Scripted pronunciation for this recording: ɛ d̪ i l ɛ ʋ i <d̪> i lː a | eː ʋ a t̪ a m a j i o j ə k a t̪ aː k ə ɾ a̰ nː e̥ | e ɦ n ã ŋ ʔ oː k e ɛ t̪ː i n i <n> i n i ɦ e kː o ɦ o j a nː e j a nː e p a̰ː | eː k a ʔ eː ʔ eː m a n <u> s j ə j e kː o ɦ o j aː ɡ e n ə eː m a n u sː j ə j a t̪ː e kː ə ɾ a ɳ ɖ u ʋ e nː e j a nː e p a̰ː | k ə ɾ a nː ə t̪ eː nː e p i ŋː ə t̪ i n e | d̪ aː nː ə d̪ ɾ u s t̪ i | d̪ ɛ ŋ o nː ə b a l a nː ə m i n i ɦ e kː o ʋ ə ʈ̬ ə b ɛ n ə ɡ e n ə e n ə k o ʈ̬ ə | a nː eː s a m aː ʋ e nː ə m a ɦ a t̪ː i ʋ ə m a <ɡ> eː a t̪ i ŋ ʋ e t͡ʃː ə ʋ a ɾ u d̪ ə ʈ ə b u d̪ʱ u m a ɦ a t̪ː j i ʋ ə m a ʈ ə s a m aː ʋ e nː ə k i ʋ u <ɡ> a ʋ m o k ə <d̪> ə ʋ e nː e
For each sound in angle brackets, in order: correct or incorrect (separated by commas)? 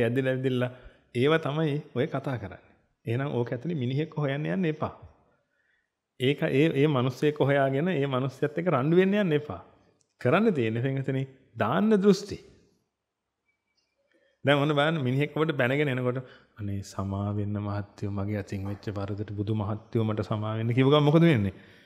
correct, incorrect, correct, correct, correct, correct